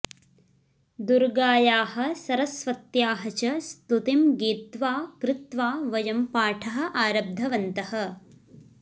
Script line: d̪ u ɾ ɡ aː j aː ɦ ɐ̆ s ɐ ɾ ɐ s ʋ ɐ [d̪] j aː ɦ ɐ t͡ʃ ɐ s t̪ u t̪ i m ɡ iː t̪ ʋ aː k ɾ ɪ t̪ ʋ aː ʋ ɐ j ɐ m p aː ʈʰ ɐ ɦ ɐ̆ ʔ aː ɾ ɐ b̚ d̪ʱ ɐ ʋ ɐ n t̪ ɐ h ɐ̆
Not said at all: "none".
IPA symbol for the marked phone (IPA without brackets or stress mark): t̪